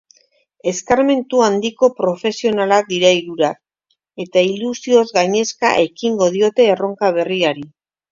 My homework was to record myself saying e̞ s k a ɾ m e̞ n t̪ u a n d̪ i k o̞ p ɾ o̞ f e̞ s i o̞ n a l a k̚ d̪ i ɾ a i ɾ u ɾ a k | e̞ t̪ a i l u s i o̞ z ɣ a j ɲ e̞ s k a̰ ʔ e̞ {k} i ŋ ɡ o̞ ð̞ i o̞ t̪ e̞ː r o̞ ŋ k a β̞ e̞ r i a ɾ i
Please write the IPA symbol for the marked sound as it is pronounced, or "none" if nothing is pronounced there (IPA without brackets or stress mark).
k